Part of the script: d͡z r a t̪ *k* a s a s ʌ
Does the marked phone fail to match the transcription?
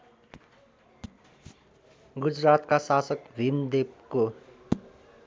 no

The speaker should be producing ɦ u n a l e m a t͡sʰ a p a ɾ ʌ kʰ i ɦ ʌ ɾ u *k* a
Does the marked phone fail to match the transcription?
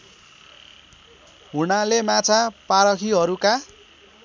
no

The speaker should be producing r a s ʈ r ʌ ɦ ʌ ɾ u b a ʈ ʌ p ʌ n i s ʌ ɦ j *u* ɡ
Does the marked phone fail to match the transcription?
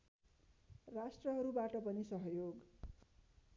yes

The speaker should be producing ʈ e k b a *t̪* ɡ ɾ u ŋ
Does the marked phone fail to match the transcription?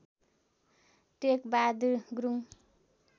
yes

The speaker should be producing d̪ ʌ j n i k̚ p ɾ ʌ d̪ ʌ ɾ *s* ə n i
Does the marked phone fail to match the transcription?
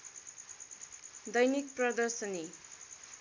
no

